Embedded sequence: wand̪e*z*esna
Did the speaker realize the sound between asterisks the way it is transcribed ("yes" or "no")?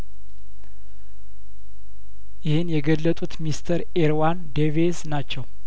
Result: no